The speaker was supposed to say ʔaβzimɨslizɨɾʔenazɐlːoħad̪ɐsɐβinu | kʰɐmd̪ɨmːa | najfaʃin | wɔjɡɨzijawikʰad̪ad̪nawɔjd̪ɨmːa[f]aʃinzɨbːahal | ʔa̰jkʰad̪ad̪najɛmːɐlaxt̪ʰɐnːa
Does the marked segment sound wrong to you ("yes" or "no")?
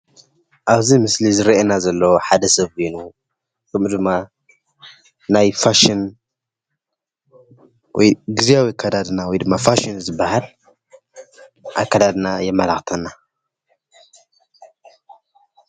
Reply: no